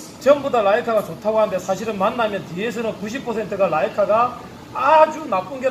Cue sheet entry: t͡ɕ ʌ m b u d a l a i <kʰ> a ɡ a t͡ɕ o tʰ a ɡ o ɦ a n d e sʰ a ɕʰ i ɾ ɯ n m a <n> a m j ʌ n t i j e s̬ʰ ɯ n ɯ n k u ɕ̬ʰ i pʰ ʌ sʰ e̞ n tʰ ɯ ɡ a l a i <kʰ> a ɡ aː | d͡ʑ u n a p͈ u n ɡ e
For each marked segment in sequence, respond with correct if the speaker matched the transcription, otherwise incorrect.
correct, incorrect: nː, correct

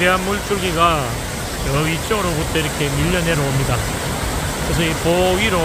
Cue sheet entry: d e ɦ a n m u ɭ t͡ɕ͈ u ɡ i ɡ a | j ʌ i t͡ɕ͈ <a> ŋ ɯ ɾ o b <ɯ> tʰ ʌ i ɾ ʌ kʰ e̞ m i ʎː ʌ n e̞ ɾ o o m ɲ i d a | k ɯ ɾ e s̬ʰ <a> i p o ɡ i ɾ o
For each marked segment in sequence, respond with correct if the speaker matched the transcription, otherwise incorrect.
incorrect: ʌ, incorrect: u, incorrect: ʌ

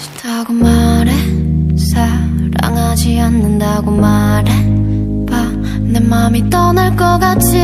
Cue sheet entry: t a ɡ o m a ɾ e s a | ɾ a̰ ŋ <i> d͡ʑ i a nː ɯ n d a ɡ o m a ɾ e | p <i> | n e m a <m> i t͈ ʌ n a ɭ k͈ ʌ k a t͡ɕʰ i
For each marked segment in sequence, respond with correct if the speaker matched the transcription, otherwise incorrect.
incorrect: a, incorrect: a, correct

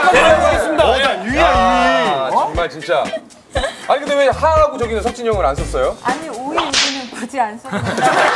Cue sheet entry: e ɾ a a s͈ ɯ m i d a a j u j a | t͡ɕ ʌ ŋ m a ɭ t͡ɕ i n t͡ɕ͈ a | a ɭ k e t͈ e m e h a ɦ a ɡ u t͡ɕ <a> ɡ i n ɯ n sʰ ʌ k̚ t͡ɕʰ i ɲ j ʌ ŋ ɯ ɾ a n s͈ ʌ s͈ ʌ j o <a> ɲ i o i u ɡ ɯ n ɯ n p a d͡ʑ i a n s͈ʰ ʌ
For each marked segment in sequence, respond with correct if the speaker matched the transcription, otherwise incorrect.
incorrect: ʌ, correct

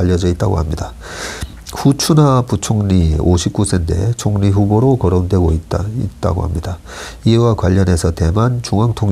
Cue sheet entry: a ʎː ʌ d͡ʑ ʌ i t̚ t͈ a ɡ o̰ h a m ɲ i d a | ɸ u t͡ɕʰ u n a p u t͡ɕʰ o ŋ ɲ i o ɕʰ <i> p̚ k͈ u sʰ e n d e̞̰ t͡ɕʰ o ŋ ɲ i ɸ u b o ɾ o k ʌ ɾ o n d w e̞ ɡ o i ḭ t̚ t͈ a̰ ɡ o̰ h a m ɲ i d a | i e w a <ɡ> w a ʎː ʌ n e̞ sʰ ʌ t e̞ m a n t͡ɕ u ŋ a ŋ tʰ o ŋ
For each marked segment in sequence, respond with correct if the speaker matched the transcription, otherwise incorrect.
correct, incorrect: k

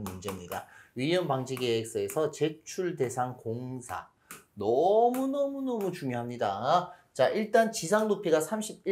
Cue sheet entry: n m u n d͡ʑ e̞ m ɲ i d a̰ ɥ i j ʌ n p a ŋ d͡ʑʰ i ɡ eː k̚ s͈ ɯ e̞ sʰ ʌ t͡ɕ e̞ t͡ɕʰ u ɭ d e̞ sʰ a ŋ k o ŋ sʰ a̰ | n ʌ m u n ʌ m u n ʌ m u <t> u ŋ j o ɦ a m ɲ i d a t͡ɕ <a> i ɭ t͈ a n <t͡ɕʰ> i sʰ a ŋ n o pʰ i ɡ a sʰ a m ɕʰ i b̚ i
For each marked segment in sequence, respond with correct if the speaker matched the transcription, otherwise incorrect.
incorrect: t͡ɕ, correct, incorrect: t͡ɕ

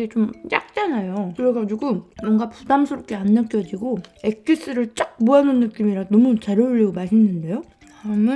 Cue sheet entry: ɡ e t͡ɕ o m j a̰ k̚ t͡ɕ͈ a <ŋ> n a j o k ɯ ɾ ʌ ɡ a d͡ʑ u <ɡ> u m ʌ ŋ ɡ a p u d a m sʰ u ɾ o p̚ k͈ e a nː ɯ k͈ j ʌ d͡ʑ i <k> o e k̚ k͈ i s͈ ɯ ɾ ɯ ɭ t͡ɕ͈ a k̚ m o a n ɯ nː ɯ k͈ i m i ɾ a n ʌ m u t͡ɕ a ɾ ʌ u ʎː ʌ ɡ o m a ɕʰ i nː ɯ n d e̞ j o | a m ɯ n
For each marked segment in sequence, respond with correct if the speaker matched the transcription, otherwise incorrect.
incorrect: none, correct, incorrect: ɡ

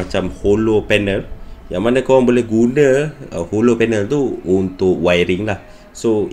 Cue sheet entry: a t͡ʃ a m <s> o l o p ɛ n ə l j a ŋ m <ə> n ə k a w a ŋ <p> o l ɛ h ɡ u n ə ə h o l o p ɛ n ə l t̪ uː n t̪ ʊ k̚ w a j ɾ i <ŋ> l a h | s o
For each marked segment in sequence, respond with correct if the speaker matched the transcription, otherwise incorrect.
incorrect: h, incorrect: a, incorrect: b, correct

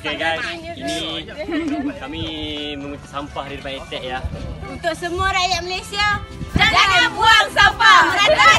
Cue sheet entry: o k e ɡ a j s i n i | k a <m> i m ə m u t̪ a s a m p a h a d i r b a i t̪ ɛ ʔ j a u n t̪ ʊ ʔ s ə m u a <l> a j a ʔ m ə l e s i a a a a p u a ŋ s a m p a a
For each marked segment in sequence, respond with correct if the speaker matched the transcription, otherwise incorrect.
correct, incorrect: ɾ

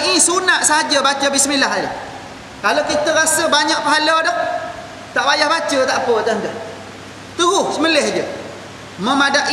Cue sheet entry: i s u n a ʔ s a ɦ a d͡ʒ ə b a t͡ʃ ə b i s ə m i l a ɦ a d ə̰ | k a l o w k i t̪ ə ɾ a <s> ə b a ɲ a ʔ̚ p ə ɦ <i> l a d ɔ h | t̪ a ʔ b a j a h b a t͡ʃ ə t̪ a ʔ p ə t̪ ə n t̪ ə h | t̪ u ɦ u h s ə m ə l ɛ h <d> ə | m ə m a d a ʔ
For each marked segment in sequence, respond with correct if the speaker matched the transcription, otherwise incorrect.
correct, incorrect: a, incorrect: d͡ʒ

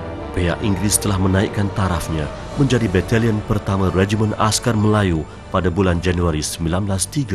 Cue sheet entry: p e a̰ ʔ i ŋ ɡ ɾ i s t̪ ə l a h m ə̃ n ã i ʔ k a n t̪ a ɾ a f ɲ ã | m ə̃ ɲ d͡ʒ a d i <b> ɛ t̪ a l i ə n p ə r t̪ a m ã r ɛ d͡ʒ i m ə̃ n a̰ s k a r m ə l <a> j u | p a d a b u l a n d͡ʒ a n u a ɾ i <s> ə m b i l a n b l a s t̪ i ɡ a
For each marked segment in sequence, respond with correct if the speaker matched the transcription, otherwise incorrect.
correct, correct, correct

